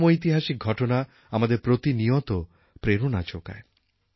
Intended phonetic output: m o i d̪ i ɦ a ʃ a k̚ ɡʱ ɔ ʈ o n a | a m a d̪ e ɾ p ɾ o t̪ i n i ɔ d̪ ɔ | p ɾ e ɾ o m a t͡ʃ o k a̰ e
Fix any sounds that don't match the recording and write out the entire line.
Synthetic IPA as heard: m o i t̪ i ɦ a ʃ i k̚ ɡʱ ɔ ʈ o n a | a m a d̪ e ɾ p ɾ o t̪ i n i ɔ t̪ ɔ | p ɾ e ɾ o n a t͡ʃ o k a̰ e